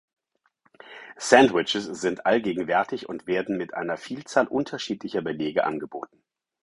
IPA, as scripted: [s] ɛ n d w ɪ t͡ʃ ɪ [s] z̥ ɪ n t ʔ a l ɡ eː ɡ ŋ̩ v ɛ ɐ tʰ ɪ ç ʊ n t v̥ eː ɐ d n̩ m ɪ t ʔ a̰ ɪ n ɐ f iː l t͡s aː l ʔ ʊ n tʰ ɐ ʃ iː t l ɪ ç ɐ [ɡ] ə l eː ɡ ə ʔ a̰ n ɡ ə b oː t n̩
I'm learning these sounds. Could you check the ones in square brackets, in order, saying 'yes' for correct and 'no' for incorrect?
yes, yes, no

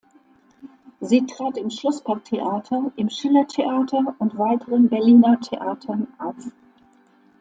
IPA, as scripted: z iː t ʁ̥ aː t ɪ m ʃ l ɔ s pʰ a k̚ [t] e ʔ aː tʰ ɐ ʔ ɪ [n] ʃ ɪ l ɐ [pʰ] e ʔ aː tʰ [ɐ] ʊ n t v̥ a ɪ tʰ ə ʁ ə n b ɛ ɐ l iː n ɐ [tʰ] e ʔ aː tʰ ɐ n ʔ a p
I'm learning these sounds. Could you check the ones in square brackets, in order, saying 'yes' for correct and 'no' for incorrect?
no, no, no, yes, yes

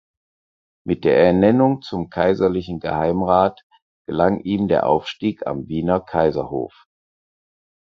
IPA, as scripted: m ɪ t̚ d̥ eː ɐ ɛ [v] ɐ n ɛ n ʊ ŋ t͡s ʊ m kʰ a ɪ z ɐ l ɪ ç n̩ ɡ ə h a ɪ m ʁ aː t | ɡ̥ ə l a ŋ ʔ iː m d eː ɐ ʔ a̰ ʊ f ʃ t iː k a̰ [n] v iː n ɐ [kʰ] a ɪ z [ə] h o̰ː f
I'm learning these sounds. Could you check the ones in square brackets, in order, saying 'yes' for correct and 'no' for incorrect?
no, no, yes, no

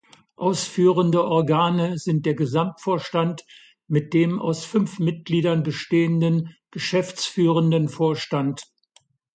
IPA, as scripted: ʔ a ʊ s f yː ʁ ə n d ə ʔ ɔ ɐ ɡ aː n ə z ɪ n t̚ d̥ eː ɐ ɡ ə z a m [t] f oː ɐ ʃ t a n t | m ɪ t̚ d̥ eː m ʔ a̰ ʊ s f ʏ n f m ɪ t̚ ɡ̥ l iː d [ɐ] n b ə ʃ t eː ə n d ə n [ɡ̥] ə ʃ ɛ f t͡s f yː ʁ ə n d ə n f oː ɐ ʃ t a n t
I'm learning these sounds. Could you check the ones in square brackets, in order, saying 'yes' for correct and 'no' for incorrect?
yes, yes, yes

